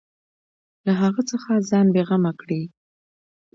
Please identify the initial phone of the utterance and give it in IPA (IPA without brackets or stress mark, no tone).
l